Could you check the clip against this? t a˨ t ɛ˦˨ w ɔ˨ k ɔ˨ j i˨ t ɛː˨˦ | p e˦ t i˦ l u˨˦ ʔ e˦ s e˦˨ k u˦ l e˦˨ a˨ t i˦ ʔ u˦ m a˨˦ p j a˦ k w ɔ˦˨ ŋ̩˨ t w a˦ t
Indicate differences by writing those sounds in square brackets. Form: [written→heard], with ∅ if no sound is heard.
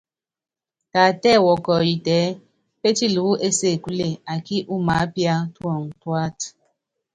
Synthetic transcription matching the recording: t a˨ t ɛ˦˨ w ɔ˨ k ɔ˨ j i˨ t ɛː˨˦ | p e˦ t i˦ l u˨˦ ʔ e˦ s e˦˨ k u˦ l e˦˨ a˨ [t→k] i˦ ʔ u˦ m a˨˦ p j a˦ [k→t] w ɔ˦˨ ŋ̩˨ t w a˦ t